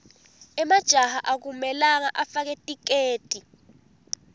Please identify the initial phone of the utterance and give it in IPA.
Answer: ɛ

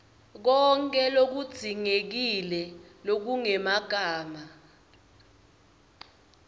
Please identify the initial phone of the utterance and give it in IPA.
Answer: k̬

